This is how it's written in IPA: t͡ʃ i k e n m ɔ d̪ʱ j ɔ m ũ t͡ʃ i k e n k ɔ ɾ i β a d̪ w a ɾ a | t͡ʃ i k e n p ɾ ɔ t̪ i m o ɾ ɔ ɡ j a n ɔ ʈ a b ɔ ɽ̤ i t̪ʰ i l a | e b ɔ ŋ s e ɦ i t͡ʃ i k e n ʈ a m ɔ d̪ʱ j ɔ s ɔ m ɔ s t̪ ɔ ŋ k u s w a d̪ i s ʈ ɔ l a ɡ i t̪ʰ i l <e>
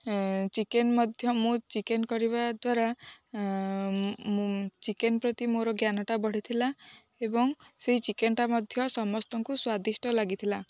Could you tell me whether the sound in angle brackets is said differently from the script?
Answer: yes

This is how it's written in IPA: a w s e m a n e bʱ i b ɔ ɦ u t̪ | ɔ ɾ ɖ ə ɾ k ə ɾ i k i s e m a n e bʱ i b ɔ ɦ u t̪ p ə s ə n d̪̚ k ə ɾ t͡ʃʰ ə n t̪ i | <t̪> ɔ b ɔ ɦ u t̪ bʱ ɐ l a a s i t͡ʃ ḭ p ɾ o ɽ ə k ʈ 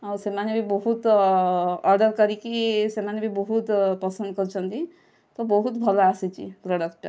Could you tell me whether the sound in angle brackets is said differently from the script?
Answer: no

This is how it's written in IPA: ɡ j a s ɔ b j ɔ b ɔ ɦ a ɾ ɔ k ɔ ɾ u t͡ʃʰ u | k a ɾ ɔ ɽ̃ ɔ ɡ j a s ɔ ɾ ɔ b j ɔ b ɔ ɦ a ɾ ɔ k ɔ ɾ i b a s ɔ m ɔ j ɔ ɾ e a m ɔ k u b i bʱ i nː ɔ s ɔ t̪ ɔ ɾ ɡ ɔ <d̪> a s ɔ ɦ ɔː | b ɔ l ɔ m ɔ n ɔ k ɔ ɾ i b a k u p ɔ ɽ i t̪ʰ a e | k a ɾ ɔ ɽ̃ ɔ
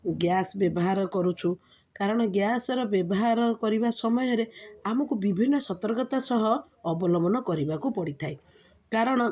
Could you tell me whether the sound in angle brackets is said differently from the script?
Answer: yes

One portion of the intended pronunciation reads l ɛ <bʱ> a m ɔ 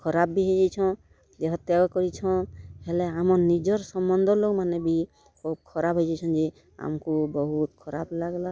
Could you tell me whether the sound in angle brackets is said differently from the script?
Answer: yes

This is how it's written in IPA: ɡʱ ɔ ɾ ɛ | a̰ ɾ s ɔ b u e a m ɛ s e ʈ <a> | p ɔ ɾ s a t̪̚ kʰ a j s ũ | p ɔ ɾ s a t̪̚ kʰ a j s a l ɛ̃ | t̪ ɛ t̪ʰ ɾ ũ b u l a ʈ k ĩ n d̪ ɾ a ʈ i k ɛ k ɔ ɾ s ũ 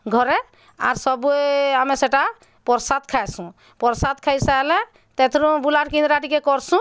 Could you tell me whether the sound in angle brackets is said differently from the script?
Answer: no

